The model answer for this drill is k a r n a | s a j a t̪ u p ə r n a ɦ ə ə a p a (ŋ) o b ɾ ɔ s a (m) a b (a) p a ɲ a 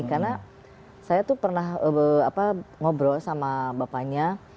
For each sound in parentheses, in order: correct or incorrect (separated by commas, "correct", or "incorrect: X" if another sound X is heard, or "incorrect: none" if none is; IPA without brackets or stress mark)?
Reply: correct, correct, correct